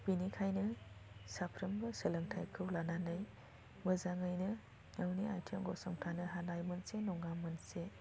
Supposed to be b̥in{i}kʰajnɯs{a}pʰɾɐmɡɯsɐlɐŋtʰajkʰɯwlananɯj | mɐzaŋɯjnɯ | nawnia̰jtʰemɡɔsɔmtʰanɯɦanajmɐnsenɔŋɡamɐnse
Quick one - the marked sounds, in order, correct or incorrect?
correct, correct

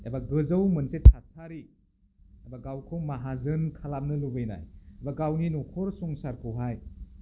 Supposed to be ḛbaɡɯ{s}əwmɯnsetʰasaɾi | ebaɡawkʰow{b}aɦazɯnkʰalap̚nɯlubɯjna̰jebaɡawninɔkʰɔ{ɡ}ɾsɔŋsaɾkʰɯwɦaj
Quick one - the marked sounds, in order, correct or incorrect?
incorrect, incorrect, incorrect

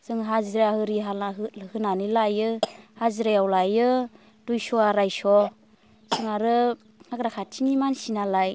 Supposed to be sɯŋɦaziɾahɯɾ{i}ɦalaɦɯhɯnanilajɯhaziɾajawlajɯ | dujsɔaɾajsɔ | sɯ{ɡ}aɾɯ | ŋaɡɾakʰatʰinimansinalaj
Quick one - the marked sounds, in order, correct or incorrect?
correct, incorrect

